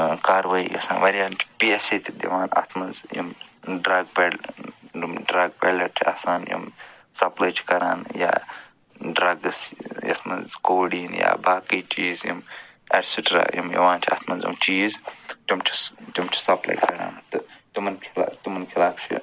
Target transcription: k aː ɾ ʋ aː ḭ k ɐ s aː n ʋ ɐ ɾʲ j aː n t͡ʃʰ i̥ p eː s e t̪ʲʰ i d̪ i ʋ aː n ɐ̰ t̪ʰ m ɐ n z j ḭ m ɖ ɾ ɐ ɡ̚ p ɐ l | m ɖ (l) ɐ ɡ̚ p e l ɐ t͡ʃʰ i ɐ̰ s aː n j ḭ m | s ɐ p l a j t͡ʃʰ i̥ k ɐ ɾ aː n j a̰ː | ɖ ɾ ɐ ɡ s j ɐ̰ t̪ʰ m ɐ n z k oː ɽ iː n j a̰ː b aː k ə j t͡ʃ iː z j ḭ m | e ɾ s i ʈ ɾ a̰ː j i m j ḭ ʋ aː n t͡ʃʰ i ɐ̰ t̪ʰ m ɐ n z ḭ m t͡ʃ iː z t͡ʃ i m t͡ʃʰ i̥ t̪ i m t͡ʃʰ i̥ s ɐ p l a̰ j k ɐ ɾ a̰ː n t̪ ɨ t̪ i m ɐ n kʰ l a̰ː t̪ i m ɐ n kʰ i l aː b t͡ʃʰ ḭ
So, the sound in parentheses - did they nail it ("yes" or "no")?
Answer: no